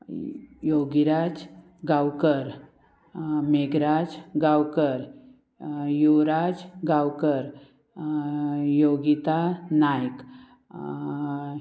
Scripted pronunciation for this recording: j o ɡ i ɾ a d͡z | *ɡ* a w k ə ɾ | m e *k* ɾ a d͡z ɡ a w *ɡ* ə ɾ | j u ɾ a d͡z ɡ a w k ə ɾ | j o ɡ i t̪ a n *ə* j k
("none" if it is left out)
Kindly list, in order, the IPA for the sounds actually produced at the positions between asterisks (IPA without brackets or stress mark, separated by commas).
ɡ, ɡ, k, a